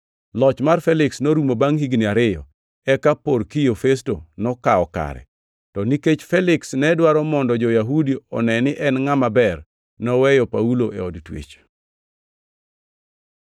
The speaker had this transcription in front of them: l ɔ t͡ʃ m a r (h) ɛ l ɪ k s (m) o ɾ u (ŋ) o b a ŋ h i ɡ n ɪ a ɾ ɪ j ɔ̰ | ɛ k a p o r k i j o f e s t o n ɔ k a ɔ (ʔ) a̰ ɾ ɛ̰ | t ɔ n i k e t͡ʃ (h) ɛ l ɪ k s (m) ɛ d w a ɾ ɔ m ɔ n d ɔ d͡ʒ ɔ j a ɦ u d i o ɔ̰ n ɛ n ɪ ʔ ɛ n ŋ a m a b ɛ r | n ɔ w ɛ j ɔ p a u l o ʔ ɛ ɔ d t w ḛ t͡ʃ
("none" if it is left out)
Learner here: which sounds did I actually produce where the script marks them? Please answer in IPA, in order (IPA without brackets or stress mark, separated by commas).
f, n, m, k, f, n